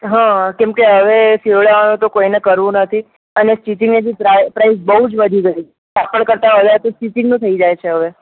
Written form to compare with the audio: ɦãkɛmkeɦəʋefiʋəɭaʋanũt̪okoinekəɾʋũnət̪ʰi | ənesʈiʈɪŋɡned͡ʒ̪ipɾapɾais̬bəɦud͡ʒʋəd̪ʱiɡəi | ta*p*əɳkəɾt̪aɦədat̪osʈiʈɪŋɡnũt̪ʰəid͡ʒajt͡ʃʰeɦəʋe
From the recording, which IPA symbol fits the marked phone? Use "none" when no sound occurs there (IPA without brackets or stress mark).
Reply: p